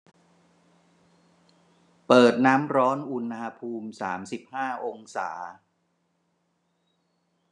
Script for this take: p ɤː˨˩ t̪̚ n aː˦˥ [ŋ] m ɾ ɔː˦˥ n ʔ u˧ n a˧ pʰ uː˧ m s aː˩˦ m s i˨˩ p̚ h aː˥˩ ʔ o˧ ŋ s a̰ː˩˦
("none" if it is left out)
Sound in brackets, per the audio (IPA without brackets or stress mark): none